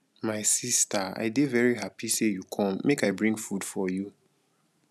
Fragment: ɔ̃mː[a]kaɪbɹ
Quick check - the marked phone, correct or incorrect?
incorrect